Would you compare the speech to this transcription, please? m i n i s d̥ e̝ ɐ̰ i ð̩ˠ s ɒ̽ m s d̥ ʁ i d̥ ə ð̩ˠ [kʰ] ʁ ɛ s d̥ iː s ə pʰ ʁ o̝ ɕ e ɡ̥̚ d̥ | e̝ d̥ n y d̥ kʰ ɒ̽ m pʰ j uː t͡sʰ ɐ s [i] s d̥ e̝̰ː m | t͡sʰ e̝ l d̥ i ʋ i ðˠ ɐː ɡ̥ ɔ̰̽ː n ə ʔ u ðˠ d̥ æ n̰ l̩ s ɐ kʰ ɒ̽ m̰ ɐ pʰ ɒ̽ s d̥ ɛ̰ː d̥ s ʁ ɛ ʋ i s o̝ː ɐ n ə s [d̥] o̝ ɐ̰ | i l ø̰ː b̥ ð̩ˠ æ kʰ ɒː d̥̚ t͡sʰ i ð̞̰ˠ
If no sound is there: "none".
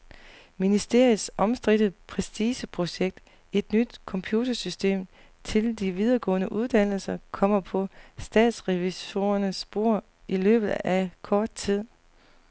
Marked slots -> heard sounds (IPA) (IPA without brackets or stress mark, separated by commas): pʰ, y, b̥